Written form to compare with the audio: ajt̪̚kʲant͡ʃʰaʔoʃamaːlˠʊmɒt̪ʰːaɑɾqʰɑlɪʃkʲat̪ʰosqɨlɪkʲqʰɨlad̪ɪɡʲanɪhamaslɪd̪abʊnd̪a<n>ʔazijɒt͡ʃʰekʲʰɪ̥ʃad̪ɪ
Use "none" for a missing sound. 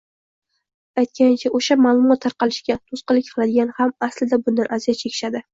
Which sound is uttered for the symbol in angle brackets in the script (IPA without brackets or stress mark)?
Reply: n